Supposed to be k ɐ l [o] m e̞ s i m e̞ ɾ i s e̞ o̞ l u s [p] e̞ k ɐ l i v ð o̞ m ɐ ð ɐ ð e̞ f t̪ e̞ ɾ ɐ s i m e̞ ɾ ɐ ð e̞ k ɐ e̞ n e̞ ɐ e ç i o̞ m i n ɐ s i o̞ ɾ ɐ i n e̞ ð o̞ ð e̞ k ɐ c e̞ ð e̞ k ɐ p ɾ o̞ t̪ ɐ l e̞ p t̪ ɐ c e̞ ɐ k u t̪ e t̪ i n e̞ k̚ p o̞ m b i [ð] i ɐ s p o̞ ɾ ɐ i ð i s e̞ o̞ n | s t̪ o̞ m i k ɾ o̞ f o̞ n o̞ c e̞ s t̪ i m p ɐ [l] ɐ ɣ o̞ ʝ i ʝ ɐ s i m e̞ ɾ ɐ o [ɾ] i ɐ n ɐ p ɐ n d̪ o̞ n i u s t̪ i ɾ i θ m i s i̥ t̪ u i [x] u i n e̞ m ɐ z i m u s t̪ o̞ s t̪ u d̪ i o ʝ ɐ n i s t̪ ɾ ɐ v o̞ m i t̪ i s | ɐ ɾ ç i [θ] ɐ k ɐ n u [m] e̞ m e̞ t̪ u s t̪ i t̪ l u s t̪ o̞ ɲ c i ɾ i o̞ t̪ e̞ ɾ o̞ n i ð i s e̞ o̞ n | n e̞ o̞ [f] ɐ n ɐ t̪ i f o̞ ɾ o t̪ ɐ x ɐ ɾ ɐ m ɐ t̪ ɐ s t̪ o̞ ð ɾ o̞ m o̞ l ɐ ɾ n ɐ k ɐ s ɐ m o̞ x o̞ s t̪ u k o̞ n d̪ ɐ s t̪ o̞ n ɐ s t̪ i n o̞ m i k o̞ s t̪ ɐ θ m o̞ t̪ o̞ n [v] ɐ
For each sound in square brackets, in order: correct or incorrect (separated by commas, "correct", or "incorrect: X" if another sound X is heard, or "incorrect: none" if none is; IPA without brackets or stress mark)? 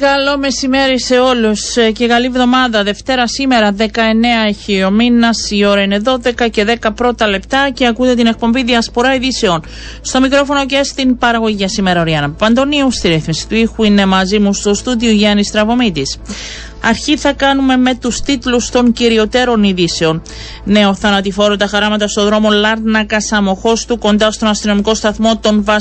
correct, incorrect: c, correct, incorrect: ɾ, correct, correct, correct, correct, incorrect: θ, correct